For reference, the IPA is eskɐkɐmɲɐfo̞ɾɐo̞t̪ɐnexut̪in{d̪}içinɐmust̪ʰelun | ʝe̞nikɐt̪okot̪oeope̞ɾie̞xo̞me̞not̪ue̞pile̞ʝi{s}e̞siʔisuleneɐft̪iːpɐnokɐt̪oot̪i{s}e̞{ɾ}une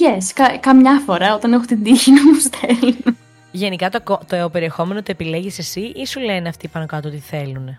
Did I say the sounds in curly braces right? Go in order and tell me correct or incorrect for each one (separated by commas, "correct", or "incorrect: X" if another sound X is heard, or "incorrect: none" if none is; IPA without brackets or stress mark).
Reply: correct, correct, incorrect: θ, incorrect: l